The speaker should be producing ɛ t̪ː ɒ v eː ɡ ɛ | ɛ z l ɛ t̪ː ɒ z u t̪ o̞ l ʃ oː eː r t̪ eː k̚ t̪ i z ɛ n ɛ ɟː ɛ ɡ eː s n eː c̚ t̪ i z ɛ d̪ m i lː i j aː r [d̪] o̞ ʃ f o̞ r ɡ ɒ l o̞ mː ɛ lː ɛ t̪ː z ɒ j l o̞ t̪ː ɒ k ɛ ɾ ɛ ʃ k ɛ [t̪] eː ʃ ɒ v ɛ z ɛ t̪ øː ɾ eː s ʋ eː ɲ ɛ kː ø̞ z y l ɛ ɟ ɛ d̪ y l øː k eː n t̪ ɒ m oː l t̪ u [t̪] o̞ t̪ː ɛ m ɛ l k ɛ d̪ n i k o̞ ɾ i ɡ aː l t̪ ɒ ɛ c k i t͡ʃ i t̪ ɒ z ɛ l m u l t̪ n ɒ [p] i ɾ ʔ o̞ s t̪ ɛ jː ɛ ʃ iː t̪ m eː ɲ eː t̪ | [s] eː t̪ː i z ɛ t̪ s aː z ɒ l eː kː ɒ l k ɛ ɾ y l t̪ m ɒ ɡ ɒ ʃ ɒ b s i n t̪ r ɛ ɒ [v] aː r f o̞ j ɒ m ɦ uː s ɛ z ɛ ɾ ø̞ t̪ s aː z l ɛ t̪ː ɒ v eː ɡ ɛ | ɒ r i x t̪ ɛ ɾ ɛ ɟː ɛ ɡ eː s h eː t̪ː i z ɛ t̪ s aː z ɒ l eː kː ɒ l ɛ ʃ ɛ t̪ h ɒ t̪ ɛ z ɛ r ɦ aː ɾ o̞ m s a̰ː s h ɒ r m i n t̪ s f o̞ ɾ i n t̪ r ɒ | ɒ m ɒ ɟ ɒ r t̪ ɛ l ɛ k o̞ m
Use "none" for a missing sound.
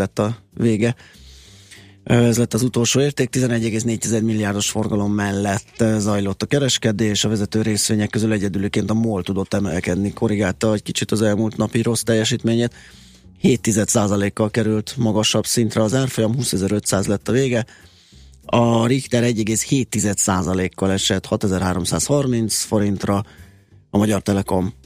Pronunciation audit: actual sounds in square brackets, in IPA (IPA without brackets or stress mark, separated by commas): d̪, d̪, d̪, p, h, z